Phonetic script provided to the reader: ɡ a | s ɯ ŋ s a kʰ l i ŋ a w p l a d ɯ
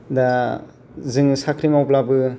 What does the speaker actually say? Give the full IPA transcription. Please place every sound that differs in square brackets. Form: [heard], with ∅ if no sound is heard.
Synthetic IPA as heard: [d] a | [z] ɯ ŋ s a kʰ [ɾ] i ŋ a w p l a [b] ɯ